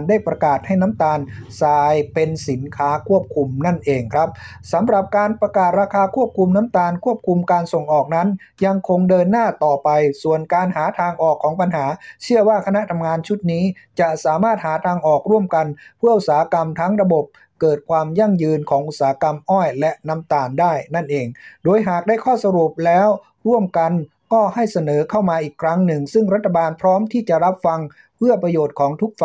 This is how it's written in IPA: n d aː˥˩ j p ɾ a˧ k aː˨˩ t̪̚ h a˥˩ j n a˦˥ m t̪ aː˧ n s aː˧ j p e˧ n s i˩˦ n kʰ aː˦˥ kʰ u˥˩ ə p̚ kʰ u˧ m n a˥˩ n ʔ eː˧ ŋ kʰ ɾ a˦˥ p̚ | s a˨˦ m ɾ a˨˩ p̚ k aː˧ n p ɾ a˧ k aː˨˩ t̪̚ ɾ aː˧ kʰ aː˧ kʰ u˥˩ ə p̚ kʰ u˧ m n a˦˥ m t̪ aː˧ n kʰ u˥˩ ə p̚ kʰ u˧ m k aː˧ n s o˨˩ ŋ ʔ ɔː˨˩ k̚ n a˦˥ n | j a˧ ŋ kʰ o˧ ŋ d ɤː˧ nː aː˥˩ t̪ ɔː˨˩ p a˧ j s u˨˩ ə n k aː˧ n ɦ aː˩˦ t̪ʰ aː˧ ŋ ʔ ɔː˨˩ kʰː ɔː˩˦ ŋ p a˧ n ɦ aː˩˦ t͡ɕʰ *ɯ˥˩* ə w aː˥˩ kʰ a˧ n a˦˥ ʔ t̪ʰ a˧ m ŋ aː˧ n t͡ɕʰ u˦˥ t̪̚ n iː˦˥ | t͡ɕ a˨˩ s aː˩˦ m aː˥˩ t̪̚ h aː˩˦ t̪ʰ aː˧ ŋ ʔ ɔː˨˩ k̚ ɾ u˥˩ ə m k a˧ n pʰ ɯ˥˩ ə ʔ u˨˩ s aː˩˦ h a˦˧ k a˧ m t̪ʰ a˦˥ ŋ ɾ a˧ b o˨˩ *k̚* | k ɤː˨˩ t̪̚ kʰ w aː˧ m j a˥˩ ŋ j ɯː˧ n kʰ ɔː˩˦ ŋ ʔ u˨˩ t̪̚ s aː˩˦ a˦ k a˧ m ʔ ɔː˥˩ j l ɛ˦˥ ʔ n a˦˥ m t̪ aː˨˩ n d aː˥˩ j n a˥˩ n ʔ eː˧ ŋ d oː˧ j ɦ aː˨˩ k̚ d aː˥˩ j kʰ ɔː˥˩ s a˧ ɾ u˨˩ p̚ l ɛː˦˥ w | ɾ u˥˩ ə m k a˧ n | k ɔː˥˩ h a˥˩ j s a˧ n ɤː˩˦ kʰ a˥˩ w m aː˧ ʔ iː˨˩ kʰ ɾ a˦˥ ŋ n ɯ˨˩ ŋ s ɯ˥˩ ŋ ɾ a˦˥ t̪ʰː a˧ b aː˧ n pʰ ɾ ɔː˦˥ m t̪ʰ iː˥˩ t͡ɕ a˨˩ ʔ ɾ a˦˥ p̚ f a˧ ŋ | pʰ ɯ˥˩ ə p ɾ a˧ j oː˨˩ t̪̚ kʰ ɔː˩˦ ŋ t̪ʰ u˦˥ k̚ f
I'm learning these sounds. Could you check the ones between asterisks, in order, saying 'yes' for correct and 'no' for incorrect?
yes, no

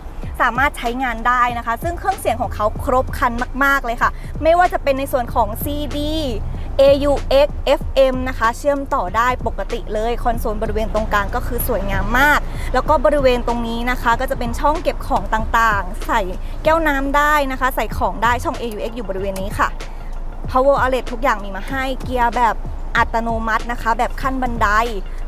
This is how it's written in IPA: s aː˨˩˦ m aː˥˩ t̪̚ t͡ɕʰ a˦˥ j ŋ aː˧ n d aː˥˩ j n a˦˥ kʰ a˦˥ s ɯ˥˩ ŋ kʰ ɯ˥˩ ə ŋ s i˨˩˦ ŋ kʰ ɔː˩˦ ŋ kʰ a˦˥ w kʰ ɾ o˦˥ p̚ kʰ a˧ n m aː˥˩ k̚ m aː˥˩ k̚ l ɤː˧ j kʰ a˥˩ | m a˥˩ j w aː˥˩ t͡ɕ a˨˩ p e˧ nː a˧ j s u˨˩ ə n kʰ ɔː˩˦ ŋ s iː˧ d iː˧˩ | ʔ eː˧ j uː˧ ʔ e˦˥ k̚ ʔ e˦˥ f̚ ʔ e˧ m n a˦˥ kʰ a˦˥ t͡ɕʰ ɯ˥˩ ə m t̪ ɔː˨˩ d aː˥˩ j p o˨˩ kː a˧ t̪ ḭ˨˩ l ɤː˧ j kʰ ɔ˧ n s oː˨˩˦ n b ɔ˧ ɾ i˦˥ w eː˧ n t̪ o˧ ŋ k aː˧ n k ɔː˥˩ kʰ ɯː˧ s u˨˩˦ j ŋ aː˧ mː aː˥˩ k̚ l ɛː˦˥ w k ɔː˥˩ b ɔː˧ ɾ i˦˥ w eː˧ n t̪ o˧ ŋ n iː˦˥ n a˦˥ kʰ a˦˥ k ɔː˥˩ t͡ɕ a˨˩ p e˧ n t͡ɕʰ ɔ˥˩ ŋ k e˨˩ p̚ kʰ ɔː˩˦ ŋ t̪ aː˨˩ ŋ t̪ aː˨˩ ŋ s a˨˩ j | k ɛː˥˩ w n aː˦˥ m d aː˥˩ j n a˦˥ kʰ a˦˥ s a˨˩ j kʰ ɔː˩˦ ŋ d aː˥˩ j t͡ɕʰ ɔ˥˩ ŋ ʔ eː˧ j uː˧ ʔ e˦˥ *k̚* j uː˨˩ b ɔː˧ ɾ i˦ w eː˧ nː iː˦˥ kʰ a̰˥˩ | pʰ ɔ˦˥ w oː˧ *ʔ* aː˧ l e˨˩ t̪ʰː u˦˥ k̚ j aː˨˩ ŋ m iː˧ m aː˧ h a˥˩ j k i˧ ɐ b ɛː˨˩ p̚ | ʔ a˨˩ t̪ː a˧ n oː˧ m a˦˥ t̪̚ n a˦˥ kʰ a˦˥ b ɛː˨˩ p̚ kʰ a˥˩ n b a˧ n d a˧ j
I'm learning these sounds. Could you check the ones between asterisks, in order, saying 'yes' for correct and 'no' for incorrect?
yes, yes

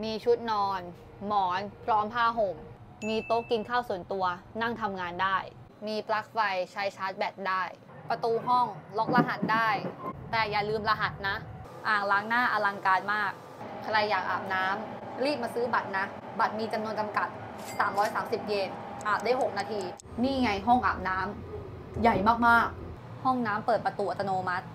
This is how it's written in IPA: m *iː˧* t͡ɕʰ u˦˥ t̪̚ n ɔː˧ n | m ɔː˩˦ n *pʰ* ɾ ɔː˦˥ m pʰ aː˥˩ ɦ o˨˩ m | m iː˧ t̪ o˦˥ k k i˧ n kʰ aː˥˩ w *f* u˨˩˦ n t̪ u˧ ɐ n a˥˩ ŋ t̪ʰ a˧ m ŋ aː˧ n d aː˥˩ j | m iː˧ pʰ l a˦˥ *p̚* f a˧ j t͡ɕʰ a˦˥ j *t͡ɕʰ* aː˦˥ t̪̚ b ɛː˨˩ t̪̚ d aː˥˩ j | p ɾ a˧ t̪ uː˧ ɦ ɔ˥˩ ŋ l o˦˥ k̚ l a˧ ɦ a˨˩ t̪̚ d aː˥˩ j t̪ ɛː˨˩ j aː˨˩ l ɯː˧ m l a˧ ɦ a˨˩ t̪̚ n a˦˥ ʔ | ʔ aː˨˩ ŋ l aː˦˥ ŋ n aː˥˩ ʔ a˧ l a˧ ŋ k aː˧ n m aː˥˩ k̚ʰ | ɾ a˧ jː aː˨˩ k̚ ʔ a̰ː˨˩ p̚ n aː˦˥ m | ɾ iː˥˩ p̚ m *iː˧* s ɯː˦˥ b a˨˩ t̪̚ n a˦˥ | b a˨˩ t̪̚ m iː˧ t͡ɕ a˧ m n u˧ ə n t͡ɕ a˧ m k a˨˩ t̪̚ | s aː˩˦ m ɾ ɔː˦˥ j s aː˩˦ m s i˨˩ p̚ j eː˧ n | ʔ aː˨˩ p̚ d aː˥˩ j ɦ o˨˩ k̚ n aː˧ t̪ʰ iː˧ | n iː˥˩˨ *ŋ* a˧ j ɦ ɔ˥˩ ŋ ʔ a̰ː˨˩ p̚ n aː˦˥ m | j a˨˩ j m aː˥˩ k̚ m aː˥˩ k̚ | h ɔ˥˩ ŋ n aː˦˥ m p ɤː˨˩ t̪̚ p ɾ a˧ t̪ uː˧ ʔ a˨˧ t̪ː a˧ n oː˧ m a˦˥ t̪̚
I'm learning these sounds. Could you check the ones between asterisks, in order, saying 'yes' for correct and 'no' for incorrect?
yes, yes, no, no, yes, no, yes

